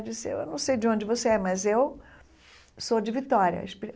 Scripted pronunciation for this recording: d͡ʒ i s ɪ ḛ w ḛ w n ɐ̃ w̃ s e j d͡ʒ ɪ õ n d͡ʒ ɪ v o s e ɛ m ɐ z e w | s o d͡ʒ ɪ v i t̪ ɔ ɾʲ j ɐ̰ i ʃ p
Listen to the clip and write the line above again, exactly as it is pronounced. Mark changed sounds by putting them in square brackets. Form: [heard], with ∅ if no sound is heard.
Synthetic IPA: d͡ʒ i s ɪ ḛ w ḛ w n ɐ̃ w̃ s e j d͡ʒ ɪ õ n d͡ʒ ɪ v o s e ɛ m ɐ z e w | s o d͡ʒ ɪ v i t̪ ɔ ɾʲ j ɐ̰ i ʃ p